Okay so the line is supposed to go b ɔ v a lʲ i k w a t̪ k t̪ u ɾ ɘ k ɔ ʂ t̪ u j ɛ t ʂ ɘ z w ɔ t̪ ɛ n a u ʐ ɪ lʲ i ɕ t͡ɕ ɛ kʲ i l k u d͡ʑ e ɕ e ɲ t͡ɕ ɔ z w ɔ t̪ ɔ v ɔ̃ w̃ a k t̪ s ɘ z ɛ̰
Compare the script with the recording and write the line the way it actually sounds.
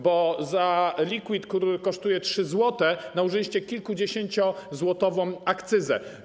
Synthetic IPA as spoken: b ɔ z a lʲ i k w i t̪ k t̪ u ɾ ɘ k ɔ ʂ t̪ u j ɛ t ʂ ɘ z w ɔ t̪ ɛ n a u ʐ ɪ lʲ i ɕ t͡ɕ ɛ kʲ i l k u d͡ʑ e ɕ e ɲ t͡ɕ ɔ z w ɔ t̪ ɔ v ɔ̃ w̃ a k t̪ s ɘ z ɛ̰